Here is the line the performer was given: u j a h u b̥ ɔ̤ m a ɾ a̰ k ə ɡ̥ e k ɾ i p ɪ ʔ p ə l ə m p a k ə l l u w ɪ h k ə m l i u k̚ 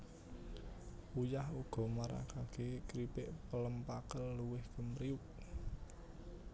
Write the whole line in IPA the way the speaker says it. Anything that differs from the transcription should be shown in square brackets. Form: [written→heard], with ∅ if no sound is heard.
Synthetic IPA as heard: u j a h u [b̥→ɡ̥] ɔ̤ m a ɾ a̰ k [ə→a] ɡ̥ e k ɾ i p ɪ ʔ p ə l ə m p a k ə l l u w ɪ h k ə m [l→ɾ] i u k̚